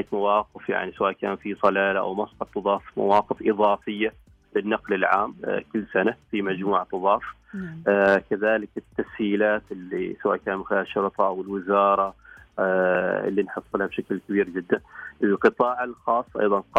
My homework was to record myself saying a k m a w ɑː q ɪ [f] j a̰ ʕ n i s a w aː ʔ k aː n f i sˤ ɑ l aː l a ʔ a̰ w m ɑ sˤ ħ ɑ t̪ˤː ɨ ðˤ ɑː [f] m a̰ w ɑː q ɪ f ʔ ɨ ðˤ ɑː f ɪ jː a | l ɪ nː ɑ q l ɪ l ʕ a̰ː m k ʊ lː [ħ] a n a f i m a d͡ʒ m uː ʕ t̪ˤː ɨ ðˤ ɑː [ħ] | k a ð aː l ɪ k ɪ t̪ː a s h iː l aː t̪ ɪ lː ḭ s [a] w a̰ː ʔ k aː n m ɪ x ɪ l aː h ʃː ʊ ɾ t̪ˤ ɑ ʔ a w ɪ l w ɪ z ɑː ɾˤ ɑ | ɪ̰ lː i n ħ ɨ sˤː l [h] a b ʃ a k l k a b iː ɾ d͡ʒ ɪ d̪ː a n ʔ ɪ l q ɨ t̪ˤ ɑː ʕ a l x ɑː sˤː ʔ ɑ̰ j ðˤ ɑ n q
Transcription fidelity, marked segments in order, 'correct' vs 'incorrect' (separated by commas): correct, correct, incorrect, incorrect, correct, correct